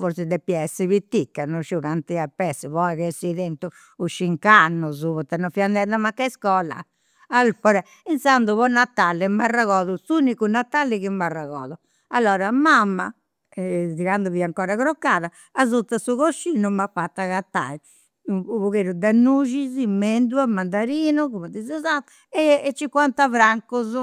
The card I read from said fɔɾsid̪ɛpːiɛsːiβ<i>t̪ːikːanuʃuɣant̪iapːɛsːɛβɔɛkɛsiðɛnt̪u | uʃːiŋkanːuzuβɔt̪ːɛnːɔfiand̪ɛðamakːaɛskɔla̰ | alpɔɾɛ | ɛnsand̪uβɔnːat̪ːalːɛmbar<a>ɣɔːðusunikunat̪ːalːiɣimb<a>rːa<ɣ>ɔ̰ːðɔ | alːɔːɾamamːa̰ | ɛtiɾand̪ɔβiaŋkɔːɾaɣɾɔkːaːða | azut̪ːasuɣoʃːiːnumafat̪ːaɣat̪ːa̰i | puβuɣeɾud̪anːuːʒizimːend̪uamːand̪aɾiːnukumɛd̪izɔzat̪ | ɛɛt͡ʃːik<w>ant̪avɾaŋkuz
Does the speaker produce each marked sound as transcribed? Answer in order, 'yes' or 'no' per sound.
yes, yes, yes, yes, yes

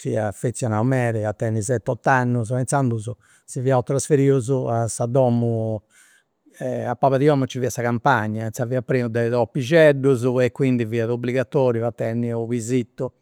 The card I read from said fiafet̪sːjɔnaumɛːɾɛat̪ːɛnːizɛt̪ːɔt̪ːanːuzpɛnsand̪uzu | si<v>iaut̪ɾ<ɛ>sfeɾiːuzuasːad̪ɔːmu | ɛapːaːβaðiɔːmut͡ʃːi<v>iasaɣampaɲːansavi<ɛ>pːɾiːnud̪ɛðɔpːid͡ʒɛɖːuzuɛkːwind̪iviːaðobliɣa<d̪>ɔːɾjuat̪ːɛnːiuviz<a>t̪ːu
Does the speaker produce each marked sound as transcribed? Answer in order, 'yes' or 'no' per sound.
yes, no, yes, no, no, no

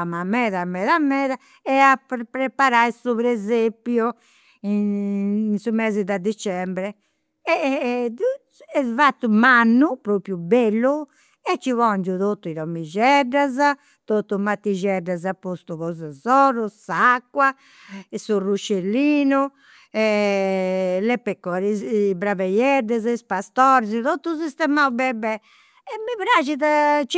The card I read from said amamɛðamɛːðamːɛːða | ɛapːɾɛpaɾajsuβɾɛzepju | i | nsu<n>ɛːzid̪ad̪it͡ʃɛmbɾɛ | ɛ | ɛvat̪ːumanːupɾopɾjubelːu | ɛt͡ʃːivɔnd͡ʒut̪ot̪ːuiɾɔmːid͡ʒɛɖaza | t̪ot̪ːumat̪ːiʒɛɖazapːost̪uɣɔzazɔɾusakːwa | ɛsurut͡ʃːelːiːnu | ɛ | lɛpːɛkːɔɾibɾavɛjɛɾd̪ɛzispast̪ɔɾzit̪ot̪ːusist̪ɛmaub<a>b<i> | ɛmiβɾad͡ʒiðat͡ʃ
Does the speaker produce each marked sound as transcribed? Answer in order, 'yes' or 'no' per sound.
no, no, no

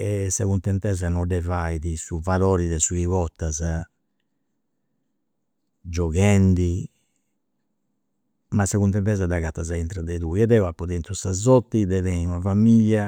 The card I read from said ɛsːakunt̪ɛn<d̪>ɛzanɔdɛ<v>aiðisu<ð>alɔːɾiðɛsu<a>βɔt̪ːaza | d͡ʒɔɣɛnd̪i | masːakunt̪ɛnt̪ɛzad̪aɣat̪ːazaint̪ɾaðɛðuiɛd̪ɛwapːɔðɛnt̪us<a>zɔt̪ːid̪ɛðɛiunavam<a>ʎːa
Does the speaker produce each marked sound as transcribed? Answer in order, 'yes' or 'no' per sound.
no, yes, no, no, yes, no

